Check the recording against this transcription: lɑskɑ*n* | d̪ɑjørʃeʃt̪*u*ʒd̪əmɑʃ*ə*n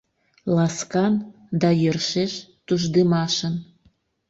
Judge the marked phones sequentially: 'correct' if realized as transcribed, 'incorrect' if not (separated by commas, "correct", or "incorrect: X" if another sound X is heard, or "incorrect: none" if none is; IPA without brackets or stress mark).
correct, correct, correct